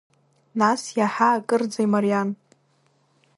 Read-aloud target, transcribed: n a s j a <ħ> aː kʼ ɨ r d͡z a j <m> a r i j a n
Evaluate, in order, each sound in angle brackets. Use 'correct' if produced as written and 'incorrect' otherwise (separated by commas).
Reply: correct, correct